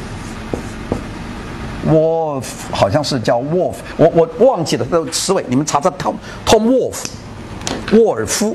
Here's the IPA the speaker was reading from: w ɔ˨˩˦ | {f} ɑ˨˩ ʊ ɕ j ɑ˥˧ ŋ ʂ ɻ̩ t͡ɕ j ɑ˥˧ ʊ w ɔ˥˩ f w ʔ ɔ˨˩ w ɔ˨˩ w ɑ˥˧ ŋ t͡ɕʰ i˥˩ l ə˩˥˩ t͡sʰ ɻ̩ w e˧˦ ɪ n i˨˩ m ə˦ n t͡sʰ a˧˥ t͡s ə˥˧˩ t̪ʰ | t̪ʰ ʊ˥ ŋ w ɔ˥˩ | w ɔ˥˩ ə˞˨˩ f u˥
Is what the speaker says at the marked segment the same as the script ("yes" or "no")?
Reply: no